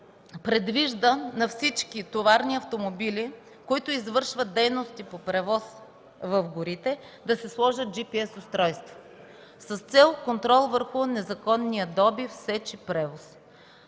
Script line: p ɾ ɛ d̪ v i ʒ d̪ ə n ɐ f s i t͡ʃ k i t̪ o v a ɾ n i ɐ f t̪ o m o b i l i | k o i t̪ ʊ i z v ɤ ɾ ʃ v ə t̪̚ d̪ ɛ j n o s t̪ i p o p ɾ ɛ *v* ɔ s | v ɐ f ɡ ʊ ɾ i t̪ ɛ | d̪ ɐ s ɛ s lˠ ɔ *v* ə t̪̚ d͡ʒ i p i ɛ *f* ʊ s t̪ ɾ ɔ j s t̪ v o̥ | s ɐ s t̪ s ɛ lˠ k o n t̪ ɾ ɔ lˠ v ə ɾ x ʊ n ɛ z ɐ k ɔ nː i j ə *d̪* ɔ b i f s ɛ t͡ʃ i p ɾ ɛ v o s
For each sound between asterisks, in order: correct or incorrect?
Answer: correct, incorrect: ʒ, incorrect: s, correct

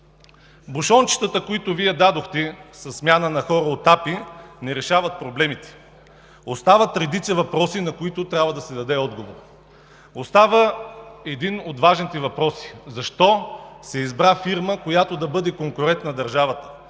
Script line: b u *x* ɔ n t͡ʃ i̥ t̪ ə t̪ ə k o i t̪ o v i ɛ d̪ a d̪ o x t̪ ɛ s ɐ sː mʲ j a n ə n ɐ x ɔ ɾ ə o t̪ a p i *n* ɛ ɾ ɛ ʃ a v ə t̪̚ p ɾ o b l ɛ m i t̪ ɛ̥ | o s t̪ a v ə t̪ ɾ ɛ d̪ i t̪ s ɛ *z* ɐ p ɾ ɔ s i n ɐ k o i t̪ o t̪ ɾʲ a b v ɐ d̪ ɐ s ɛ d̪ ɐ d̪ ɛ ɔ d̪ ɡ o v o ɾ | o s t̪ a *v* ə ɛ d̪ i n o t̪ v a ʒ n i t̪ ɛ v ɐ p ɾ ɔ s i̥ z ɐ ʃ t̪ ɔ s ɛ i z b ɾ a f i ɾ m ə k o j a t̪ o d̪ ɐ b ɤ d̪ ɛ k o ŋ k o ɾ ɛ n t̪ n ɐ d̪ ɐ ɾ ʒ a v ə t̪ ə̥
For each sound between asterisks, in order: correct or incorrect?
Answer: incorrect: ʃ, correct, incorrect: v, correct

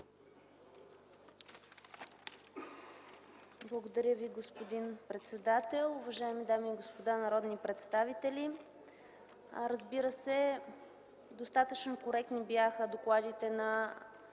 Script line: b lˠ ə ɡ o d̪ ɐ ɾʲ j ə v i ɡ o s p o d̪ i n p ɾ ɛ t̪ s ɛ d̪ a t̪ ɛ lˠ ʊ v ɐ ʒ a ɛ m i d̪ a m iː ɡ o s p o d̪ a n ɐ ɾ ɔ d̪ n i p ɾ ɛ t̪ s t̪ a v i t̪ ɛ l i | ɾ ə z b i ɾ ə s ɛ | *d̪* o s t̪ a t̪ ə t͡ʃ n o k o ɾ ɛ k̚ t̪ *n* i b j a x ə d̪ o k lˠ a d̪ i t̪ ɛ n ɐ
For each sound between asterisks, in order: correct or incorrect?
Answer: correct, correct

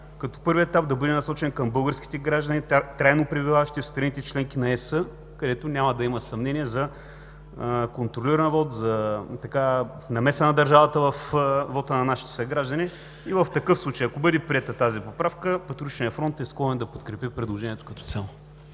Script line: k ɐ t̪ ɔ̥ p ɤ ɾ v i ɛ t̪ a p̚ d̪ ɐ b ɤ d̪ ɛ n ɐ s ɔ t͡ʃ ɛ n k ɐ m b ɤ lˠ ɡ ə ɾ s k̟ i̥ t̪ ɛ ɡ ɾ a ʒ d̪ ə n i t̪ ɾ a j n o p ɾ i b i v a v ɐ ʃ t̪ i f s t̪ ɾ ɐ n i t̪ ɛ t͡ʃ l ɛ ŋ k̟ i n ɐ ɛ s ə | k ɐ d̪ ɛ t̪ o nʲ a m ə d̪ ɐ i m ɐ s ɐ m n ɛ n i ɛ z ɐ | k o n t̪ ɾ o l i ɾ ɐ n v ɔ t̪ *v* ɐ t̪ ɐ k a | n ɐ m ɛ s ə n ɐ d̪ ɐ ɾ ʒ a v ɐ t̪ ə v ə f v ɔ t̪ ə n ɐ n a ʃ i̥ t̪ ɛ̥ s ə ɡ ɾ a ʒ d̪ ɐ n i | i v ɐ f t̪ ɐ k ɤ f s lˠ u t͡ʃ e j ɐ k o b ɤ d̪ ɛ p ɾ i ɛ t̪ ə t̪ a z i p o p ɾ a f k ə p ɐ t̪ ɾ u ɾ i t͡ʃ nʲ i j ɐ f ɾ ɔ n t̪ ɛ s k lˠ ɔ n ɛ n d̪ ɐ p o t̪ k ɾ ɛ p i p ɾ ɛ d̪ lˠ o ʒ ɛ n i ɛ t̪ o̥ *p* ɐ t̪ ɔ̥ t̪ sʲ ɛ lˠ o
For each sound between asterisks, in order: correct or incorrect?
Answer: incorrect: z, incorrect: k

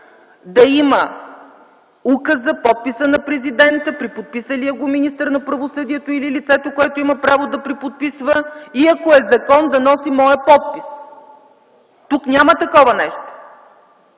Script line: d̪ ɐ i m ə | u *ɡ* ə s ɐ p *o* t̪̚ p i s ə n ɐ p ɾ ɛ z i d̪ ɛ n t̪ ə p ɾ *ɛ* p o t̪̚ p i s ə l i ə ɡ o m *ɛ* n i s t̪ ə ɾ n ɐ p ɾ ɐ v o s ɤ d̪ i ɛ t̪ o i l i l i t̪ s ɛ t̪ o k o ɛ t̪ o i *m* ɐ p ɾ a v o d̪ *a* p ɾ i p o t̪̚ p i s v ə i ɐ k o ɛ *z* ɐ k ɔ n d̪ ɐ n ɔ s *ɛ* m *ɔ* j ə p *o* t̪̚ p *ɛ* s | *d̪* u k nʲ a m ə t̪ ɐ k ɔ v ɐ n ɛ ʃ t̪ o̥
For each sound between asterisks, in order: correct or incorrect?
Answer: incorrect: k, incorrect: ɔ, incorrect: i, incorrect: i, correct, incorrect: ɐ, correct, incorrect: i, correct, incorrect: ɔ, incorrect: i, incorrect: t̪

